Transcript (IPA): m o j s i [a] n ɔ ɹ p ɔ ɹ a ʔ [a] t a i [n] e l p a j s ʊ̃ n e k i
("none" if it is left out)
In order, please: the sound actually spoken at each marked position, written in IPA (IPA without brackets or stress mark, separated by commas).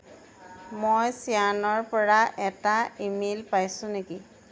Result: a, ɛ, m